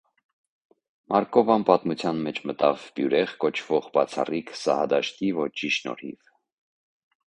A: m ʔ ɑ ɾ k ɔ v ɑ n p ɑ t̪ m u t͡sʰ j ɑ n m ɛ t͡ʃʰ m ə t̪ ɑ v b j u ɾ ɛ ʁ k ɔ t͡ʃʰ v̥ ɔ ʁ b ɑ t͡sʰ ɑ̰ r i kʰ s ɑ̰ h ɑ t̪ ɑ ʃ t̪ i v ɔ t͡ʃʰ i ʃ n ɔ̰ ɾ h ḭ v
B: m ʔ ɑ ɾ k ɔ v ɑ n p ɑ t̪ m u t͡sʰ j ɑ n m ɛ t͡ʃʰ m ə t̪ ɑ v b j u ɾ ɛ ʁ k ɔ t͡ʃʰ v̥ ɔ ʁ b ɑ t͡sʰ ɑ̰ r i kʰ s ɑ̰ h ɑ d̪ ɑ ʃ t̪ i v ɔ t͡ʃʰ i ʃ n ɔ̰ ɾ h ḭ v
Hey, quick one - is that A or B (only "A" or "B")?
B